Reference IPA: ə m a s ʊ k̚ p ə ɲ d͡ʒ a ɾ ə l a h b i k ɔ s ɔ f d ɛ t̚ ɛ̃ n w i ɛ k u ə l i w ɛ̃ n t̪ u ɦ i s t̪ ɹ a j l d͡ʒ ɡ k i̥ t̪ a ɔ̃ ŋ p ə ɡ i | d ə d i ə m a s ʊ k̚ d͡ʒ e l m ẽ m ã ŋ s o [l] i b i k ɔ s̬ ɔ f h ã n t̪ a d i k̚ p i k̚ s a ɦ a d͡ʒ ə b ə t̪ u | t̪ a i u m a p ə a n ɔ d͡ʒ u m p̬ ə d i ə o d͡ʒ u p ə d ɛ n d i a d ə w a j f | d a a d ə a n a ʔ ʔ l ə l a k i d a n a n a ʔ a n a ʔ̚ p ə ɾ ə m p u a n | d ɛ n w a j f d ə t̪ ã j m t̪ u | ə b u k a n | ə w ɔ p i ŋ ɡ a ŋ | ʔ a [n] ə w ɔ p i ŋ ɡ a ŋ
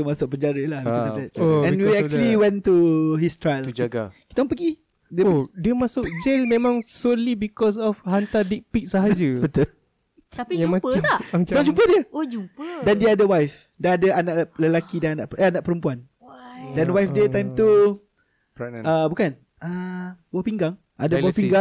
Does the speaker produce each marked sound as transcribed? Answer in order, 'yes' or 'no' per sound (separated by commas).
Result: yes, no